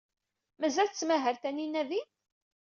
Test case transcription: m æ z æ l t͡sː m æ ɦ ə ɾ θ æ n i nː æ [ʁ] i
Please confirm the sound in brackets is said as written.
no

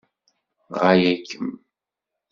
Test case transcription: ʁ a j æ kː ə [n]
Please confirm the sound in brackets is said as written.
no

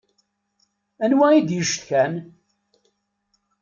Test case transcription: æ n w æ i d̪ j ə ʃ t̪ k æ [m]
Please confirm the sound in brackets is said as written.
no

